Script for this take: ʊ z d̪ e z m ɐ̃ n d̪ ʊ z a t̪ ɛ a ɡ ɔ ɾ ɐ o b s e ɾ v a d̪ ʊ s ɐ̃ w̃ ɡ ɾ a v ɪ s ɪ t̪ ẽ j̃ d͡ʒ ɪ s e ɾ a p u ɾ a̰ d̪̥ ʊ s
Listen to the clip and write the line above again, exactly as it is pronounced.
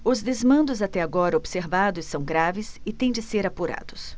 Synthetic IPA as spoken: ʊ z d̪ e z m ɐ̃ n d̪ ʊ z a t̪ ɛ a ɡ ɔ ɾ ɐ o b s e ɾ v a d̪ ʊ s ɐ̃ w̃ ɡ ɾ a v ɪ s ɪ t̪ ẽ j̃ d͡ʒ ɪ s e ɾ a p u ɾ a̰ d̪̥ ʊ s